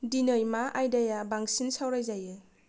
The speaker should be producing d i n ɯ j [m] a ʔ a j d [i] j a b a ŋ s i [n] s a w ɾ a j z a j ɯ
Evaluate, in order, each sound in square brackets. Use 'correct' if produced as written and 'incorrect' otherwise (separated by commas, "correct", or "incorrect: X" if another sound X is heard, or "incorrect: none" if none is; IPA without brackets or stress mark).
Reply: correct, incorrect: a, correct